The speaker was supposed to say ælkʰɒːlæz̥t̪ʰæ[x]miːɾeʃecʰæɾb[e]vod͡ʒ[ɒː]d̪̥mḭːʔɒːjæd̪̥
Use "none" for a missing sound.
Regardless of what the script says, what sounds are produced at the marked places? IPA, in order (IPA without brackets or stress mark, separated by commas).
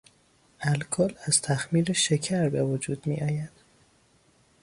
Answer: x, e, uː